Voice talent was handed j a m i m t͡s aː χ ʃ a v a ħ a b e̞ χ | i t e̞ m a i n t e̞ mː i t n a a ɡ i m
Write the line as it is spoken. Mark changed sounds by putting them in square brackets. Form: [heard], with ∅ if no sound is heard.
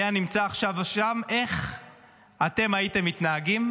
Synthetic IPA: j a [n] i m t͡s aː χ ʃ a v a [ʃ] a [m] e̞ χ | [a] t e̞ m a i [∅] t e̞ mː i t n a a ɡ i m